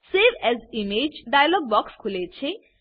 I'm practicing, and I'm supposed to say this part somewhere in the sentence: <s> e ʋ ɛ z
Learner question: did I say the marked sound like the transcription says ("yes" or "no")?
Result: yes